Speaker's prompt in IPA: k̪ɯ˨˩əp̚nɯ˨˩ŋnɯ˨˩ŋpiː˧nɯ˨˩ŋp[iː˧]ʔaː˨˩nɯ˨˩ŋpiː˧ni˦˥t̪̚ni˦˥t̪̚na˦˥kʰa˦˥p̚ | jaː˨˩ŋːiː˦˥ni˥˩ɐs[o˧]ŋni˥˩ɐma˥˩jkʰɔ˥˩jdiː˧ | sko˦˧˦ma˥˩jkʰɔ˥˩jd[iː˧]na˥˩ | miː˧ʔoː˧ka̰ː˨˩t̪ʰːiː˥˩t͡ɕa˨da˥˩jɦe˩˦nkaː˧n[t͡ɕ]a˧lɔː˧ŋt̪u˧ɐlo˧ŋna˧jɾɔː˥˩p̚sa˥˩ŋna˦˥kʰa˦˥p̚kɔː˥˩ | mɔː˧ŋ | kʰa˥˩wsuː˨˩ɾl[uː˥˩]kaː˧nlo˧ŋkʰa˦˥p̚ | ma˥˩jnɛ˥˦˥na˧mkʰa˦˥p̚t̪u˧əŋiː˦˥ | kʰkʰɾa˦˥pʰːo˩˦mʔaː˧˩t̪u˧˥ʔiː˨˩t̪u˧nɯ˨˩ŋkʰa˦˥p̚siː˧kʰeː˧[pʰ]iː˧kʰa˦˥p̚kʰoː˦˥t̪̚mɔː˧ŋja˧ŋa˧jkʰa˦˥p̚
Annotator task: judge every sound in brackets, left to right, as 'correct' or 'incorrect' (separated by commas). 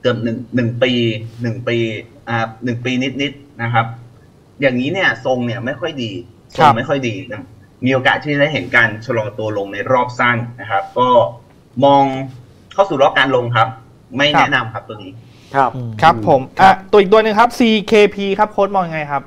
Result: correct, correct, correct, incorrect, incorrect, correct